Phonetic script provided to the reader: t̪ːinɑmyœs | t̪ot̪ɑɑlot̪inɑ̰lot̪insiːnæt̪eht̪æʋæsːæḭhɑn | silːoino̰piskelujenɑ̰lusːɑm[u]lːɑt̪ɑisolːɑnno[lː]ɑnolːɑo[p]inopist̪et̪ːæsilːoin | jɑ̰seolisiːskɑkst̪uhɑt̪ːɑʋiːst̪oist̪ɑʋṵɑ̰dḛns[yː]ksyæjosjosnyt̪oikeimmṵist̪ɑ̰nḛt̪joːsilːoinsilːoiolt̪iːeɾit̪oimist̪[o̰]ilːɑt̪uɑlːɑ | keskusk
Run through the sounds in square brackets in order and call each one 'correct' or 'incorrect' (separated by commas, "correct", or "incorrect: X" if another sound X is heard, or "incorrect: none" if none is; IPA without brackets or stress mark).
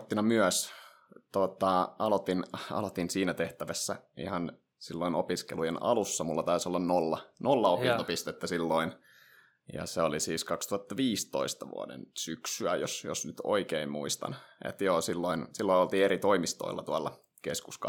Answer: correct, correct, correct, incorrect: y, correct